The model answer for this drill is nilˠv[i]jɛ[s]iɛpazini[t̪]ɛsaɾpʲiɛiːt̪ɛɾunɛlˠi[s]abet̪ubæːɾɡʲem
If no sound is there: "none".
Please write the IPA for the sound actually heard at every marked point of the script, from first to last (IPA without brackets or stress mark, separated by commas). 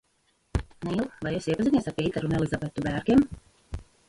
a, s, none, z